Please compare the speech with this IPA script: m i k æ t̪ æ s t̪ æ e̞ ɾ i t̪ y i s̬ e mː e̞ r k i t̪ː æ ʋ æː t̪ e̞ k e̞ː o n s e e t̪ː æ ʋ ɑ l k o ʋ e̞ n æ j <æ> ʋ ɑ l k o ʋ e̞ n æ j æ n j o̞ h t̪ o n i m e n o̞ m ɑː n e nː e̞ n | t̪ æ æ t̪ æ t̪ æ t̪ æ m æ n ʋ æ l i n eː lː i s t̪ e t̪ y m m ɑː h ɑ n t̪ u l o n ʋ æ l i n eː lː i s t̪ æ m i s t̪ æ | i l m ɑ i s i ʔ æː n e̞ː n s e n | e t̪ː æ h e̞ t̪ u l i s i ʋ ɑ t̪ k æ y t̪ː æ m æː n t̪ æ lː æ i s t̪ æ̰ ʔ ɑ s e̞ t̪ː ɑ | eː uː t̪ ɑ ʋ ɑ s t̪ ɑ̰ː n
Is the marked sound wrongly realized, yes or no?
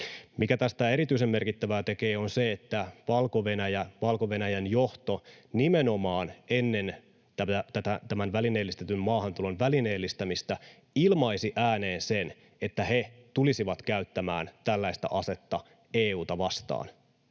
no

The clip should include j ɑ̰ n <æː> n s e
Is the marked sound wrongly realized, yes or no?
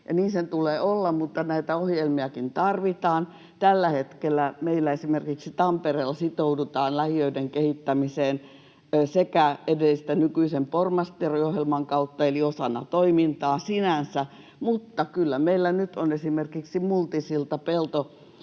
yes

